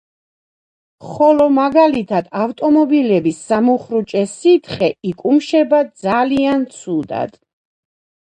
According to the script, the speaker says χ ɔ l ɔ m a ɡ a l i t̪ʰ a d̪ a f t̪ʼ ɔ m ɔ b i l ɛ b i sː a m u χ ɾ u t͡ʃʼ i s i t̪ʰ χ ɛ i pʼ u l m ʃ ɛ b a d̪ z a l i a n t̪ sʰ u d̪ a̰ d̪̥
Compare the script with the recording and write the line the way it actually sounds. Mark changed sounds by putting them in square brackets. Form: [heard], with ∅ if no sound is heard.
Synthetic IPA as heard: χ ɔ l ɔ m a ɡ a l i t̪ʰ a d̪ a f t̪ʼ ɔ m ɔ b i l ɛ b i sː a m u χ ɾ u t͡ʃʼ [ɛ] s i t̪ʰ χ ɛ i [kʼ] u [∅] m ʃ ɛ b a d̪ z a l i a n t̪ sʰ u d̪ a̰ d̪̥